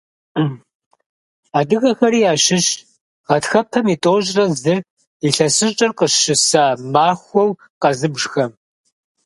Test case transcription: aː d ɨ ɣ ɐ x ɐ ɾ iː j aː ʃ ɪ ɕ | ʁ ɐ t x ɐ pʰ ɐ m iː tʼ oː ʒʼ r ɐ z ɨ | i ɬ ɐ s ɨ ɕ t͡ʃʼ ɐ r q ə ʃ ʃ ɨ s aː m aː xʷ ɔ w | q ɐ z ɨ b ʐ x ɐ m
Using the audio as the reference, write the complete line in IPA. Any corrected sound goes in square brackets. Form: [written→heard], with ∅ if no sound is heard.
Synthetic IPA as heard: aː d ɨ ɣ ɐ x ɐ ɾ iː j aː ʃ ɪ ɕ | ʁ ɐ t x ɐ pʰ ɐ m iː tʼ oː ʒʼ r ɐ z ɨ | i ɬ ɐ s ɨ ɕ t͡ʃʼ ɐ r q ə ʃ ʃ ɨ s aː m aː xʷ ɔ w | q ɐ z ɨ b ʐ x ɐ m